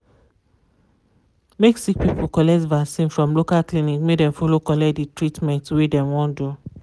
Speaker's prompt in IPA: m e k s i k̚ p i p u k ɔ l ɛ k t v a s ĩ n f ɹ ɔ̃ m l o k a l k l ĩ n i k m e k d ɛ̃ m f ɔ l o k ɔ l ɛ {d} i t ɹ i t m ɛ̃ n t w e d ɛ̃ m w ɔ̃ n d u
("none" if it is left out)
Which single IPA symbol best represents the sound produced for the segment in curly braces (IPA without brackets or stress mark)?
d